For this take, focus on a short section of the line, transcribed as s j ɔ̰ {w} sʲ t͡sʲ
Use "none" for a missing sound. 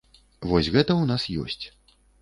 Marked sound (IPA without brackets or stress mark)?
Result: none